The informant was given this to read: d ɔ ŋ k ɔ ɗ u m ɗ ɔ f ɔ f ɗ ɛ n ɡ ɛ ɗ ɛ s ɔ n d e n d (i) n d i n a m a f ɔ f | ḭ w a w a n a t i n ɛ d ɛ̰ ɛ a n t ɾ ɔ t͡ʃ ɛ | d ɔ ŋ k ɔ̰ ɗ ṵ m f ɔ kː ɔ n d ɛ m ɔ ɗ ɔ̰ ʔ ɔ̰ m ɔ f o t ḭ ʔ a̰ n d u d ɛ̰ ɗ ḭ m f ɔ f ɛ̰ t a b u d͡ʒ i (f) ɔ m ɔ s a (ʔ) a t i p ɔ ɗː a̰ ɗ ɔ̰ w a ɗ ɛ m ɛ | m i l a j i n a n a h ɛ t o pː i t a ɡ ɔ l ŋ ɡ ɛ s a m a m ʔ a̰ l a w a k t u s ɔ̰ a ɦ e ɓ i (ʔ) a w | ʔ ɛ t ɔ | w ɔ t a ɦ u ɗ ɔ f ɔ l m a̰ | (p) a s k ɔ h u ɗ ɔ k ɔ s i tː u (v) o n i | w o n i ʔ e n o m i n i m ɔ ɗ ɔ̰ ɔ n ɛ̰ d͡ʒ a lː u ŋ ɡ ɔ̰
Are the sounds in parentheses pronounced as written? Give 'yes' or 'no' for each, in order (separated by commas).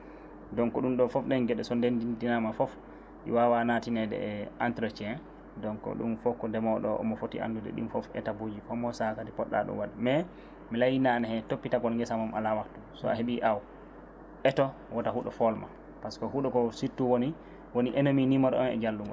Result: yes, yes, no, yes, yes, no